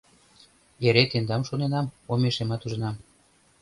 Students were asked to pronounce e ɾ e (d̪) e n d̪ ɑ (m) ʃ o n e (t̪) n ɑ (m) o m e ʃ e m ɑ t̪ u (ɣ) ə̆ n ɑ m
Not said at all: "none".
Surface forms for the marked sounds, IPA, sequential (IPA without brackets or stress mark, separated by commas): t̪, m, none, m, ʒ